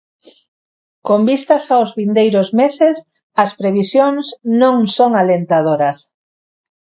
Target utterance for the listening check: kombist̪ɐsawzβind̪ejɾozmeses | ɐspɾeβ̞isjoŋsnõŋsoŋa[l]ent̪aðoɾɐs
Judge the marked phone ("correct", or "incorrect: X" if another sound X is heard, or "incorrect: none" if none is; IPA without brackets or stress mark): correct